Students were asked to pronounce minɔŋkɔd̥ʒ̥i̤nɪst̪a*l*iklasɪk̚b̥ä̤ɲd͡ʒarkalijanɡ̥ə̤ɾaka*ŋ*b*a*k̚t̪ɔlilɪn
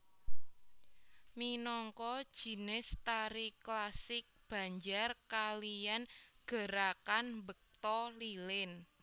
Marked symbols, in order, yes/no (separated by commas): no, no, no